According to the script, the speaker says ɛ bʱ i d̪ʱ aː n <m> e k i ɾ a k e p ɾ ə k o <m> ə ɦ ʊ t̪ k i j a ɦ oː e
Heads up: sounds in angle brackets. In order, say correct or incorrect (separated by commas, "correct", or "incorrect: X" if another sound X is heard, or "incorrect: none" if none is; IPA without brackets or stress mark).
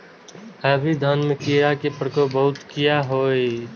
correct, incorrect: b